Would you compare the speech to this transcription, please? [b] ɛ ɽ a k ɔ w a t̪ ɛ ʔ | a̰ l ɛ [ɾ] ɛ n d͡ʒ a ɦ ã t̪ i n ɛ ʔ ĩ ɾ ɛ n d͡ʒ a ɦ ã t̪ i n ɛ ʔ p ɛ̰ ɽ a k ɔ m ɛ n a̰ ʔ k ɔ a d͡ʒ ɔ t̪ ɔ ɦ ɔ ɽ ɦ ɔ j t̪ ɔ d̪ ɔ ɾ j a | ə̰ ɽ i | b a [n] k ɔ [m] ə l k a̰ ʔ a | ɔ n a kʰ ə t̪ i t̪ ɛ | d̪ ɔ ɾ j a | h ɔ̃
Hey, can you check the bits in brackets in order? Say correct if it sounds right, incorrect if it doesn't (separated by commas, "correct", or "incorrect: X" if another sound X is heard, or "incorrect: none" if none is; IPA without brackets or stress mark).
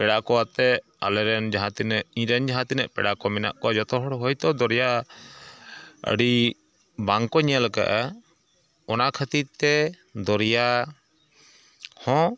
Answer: incorrect: p, correct, incorrect: ŋ, incorrect: ɲ